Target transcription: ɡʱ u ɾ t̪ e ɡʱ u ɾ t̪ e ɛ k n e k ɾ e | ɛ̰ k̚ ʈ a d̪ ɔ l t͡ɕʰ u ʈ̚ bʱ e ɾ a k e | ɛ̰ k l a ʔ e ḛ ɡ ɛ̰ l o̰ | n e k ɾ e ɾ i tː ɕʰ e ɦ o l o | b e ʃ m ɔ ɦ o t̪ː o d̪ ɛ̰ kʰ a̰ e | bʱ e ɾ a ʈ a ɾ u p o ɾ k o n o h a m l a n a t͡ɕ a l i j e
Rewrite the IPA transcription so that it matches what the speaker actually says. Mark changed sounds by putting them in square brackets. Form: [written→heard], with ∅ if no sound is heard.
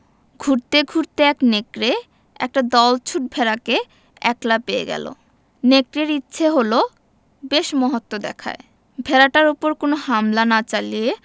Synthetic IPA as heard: ɡʱ u ɾ t̪ e ɡʱ u ɾ t̪ e ɛ k n e k ɾ e | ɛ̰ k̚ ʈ a d̪ ɔ l t͡ɕʰ u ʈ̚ bʱ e ɾ a k e | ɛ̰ k l a [ʔ→p] e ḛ ɡ ɛ̰ l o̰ | n e k ɾ e ɾ i tː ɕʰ e ɦ o l o | b e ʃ m ɔ ɦ o t̪ː o d̪ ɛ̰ kʰ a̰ e | bʱ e ɾ a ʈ a ɾ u p o ɾ k o n o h a m l a n a t͡ɕ a l i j e